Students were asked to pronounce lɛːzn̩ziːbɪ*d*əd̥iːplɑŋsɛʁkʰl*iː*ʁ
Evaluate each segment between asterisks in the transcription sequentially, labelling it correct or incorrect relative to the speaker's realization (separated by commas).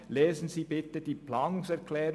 incorrect, incorrect